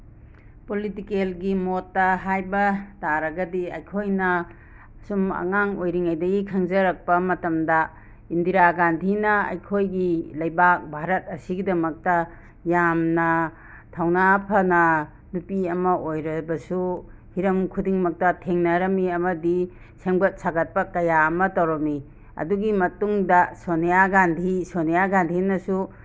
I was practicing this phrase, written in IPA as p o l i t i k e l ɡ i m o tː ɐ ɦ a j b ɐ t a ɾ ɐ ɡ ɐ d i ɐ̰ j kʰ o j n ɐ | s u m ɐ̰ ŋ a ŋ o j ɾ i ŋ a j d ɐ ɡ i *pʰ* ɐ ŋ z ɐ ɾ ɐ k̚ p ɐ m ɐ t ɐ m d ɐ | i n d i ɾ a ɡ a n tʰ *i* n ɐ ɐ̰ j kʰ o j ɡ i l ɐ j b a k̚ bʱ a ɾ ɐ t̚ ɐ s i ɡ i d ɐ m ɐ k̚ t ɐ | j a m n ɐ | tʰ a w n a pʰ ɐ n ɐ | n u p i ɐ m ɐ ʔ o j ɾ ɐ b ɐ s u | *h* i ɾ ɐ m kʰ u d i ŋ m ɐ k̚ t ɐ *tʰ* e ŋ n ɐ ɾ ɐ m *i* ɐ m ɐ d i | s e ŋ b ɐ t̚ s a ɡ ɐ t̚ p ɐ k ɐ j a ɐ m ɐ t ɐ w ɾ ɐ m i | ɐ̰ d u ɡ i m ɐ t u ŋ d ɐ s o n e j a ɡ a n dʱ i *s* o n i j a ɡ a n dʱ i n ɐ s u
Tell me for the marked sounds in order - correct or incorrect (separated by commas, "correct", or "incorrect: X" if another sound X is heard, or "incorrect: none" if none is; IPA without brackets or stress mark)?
incorrect: kʰ, correct, correct, correct, correct, correct